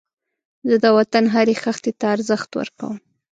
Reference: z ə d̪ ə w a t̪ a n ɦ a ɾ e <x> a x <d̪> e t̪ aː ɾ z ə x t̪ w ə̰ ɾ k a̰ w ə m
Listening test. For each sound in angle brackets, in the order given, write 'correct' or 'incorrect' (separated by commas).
correct, incorrect